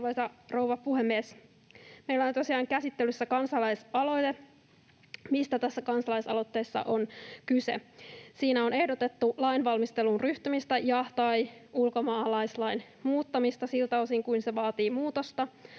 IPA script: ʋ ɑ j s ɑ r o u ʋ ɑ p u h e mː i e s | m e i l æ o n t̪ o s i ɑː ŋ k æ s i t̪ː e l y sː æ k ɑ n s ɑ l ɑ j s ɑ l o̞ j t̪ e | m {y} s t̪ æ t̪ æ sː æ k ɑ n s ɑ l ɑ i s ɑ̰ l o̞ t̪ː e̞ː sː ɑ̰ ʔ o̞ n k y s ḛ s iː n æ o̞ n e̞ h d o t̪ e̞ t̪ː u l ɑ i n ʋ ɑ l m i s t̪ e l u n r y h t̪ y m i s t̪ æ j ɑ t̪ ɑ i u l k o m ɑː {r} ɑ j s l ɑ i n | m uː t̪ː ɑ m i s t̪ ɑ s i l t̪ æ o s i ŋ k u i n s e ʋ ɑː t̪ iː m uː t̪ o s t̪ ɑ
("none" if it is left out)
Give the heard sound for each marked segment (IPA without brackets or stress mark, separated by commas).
i, l